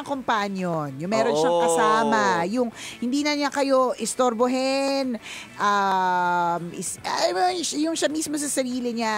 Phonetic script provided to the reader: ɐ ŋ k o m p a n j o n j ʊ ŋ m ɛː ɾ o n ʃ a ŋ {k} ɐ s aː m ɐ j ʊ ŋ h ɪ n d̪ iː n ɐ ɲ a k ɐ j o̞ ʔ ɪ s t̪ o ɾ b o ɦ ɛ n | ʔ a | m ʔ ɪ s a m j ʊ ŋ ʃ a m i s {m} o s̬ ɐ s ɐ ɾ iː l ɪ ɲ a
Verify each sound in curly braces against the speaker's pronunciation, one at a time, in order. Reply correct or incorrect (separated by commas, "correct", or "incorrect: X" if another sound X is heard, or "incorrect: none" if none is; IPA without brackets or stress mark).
correct, correct